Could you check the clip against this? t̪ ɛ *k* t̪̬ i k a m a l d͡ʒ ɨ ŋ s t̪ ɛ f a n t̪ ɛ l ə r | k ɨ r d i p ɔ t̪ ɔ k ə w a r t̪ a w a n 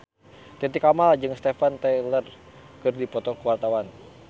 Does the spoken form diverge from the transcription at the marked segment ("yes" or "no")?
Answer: yes